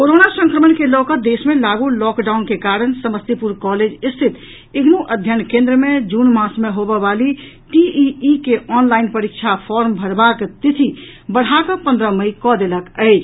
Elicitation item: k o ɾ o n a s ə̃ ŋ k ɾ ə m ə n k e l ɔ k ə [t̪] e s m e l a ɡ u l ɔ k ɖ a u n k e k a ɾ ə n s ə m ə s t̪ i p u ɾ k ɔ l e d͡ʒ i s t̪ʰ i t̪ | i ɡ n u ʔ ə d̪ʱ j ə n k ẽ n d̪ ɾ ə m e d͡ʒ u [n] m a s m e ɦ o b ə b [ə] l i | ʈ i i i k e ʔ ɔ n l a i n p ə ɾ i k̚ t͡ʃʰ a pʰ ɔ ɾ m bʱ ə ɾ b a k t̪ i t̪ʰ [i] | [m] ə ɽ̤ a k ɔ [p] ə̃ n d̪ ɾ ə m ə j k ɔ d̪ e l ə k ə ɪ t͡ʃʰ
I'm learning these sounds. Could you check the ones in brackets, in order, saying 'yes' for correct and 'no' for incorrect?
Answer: no, yes, no, yes, no, yes

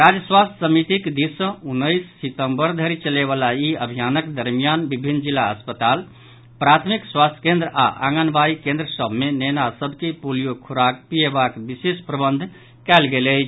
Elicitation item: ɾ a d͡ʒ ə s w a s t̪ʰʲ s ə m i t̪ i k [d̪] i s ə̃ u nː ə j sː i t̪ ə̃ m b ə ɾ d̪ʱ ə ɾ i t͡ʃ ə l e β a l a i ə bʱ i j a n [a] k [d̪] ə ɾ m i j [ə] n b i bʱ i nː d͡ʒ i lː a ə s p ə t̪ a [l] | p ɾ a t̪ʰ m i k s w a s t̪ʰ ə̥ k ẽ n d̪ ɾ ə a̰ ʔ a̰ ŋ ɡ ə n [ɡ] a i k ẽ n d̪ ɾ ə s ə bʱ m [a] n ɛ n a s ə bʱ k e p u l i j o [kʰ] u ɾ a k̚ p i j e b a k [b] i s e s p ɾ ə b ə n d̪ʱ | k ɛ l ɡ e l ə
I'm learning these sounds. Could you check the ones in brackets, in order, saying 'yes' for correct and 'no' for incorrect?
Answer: yes, no, yes, no, yes, no, no, yes, yes

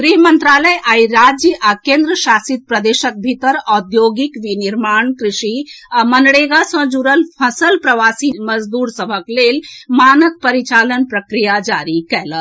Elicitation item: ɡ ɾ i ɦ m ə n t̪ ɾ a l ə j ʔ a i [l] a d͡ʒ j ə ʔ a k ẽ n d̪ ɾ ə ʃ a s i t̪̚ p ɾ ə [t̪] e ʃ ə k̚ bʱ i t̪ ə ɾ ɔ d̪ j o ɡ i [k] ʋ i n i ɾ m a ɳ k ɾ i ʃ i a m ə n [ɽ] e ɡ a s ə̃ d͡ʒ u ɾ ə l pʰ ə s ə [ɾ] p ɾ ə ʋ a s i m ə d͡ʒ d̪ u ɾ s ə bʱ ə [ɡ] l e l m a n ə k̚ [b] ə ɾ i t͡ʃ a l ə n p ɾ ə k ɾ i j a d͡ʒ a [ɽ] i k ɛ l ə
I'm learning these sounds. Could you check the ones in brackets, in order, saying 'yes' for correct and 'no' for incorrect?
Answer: no, no, yes, yes, no, no, no, no

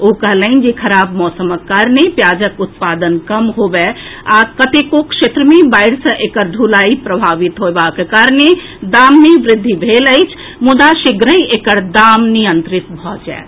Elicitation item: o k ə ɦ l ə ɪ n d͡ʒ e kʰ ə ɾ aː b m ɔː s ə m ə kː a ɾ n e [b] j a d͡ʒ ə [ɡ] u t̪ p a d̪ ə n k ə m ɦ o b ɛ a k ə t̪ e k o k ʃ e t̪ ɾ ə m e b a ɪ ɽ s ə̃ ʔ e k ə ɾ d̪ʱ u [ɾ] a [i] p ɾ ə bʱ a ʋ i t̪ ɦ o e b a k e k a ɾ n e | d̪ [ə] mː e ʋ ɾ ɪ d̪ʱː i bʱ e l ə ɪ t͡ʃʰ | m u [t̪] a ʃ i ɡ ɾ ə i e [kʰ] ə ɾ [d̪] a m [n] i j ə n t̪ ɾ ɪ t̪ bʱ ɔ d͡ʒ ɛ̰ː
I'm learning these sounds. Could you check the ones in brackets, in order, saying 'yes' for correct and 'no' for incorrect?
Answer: no, no, no, yes, no, no, no, yes, yes

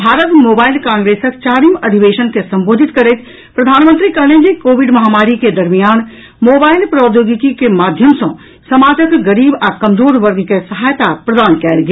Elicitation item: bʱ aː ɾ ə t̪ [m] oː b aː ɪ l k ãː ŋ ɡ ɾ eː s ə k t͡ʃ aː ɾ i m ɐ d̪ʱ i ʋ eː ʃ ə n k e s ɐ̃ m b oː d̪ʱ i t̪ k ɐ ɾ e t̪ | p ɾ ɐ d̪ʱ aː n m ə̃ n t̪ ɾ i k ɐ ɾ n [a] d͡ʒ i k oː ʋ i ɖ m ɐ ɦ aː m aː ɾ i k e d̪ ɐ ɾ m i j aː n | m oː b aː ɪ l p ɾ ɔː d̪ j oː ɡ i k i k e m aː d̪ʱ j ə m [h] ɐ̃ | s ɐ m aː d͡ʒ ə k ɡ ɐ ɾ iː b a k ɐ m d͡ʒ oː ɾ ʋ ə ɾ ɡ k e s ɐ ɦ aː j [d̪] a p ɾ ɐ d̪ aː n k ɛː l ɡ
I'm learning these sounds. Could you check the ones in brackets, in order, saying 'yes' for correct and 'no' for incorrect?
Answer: yes, no, no, no

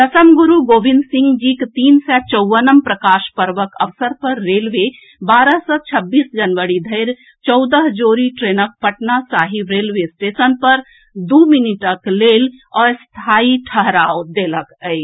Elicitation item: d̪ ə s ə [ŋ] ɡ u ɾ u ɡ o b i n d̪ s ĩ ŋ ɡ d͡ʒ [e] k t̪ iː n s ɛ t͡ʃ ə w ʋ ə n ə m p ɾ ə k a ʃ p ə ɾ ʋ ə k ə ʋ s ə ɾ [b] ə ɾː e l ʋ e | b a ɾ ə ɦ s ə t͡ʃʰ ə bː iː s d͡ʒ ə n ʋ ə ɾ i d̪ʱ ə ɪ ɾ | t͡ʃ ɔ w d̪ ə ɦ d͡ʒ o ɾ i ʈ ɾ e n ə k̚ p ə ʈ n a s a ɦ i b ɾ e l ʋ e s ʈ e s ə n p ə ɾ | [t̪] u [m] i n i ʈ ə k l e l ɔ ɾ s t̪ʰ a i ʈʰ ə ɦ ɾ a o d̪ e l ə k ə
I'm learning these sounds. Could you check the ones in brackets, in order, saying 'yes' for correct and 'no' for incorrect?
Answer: no, no, no, no, yes

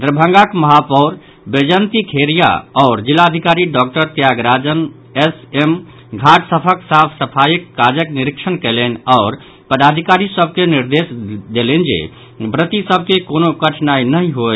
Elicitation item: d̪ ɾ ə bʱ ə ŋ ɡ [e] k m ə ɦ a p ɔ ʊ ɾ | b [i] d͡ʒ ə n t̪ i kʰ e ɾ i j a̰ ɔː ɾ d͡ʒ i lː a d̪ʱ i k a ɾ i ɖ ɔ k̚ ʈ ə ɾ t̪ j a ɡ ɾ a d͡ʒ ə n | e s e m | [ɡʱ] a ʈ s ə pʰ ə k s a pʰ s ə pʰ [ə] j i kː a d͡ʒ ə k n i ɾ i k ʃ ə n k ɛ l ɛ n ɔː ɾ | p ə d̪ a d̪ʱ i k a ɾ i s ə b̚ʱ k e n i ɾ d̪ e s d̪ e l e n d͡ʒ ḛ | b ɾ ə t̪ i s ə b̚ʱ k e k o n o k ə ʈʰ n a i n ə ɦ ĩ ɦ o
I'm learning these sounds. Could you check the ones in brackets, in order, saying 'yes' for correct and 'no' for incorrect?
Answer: no, no, yes, no

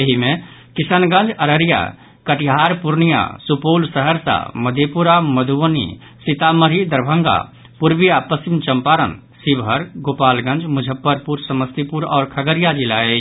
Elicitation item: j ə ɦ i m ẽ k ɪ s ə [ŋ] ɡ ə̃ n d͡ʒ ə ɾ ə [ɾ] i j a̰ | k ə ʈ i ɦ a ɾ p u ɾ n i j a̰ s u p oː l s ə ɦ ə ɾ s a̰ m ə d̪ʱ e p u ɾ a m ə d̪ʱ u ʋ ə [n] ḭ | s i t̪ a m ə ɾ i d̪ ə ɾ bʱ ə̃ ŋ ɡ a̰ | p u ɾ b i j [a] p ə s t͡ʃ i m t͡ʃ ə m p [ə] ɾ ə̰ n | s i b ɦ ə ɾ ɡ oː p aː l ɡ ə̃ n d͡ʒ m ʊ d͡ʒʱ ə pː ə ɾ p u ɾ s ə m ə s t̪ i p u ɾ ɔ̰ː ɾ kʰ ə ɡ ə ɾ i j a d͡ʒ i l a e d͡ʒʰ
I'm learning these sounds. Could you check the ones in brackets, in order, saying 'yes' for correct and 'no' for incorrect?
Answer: no, yes, yes, yes, no

